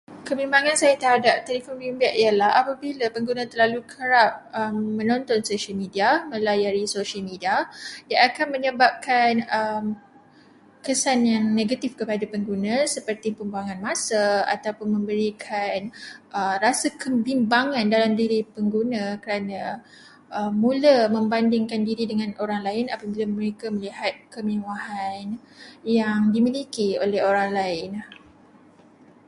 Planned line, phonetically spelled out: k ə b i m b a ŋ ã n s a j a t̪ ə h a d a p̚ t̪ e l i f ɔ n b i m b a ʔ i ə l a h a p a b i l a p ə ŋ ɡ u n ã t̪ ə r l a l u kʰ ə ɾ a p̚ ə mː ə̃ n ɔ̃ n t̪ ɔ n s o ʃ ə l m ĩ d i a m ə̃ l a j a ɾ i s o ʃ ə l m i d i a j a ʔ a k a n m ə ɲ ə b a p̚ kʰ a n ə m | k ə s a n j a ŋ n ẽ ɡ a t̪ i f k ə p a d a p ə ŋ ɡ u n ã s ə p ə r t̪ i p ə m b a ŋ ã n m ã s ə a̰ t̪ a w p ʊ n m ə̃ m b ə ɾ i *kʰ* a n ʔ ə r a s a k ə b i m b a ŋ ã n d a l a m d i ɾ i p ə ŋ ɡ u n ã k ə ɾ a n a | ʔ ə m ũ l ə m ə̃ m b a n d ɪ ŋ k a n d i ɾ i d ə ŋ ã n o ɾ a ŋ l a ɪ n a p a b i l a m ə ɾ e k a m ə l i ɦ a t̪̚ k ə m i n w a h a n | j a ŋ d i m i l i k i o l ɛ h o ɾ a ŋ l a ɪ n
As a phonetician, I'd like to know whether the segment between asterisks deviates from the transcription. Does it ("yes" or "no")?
no